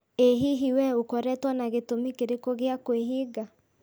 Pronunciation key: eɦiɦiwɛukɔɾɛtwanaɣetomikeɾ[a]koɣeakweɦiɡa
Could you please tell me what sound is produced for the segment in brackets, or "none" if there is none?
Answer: e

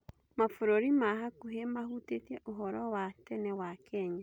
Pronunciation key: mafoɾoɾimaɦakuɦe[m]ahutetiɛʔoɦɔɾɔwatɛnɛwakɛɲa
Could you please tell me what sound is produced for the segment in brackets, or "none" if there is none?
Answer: m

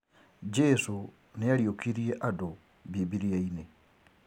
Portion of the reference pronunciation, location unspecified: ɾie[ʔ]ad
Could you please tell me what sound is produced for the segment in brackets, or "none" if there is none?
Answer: ʔ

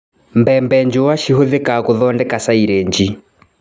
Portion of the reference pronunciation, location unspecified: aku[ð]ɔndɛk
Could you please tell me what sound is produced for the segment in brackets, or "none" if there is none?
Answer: ð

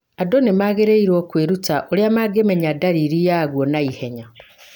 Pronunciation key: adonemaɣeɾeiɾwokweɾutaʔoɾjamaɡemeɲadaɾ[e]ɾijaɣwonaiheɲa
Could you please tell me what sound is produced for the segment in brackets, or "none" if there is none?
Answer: i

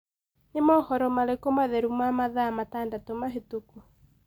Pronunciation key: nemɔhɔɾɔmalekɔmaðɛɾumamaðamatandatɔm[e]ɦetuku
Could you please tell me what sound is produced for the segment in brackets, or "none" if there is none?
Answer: a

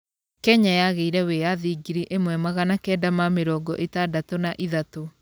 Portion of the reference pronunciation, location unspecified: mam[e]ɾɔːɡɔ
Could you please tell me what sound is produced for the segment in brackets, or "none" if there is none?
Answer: e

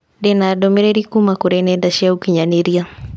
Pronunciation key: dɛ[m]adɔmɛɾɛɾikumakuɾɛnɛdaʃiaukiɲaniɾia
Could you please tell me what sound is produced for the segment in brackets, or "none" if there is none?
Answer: n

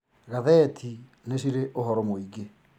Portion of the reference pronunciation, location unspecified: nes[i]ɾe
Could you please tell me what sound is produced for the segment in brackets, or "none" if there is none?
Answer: i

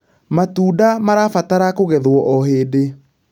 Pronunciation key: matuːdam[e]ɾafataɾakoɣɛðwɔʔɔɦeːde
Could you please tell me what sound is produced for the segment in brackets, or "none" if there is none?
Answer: a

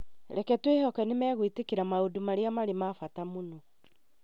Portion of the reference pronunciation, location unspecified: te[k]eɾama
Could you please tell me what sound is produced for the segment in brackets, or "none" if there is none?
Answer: k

